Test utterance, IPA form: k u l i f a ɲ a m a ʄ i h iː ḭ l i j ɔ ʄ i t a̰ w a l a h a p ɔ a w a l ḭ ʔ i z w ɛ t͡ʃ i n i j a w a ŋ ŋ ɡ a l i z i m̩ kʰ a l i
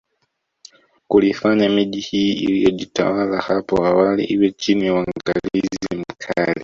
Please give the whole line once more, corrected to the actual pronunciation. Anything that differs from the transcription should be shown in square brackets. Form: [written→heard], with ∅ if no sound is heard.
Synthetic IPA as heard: k u l i f a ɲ a m [a→i] ʄ i h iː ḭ l i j ɔ ʄ i t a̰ w a l a h a p ɔ a w a l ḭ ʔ i [z→∅] w ɛ t͡ʃ i n i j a w a ŋ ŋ ɡ a l i z i m̩ kʰ a l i